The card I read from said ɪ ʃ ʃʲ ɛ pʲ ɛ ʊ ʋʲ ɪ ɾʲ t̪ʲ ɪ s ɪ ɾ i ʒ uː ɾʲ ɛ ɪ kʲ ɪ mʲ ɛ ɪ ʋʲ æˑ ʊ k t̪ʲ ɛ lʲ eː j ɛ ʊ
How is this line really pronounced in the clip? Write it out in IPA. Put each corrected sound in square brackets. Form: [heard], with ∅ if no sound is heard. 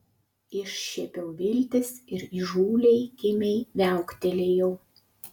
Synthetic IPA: ɪ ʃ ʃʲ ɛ pʲ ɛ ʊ ʋʲ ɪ [lʲ] t̪ʲ ɪ s ɪ ɾ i ʒ uː [lʲ] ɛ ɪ kʲ ɪ mʲ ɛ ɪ ʋʲ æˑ ʊ k t̪ʲ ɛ lʲ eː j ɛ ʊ